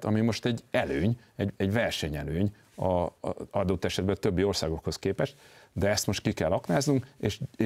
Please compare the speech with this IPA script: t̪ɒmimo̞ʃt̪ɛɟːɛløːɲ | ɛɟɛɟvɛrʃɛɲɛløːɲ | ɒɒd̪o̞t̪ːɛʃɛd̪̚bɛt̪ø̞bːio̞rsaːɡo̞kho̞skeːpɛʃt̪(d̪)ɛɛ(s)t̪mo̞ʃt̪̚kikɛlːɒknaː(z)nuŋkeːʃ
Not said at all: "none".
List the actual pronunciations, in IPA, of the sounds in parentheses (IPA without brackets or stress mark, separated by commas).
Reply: d̪, s, z